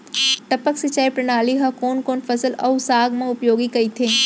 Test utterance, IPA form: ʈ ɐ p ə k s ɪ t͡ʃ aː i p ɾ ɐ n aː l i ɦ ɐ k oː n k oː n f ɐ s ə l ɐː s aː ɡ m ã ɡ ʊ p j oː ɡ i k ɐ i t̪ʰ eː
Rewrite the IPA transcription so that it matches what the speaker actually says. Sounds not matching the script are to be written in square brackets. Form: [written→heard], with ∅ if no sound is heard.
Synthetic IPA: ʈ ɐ p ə k s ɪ t͡ʃ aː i p ɾ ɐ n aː l i ɦ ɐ k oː n k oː n f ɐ s ə l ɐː s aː ɡ m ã [ɡ→∅] ʊ p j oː ɡ i k ɐ i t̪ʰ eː